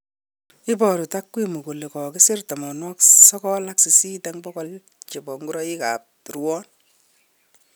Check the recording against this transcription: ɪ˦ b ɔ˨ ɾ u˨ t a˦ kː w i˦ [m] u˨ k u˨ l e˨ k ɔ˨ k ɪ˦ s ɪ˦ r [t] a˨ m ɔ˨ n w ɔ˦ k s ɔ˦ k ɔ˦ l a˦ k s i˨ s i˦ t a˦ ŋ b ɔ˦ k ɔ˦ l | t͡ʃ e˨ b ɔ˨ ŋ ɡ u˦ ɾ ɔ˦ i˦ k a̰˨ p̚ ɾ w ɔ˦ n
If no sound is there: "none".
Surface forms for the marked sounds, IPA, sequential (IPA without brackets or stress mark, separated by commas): m, t